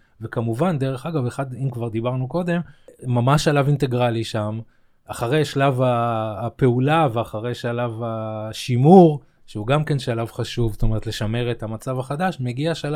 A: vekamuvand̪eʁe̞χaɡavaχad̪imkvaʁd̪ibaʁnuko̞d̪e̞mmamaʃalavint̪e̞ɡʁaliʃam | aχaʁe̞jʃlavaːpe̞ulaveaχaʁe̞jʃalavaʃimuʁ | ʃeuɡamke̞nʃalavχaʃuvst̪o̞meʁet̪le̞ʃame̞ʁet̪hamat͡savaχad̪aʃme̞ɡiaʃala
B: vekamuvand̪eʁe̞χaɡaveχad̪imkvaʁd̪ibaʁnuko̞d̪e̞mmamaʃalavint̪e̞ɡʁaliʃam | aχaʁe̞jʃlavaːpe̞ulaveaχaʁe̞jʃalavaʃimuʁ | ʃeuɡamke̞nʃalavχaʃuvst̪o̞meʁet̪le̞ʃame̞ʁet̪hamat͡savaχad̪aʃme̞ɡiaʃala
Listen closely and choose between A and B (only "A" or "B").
B